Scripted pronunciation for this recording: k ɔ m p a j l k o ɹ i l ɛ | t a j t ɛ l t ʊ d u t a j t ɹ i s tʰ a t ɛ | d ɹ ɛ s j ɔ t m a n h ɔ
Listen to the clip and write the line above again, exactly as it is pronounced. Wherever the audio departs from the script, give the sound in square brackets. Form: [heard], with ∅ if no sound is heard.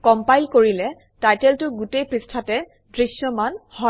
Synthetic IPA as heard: k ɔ m p a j l k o ɹ i l ɛ | t a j t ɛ l t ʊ [ɡ] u t [e] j [p] ɹ i s tʰ a t ɛ | d ɹ [i] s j ɔ [∅] m a n h ɔ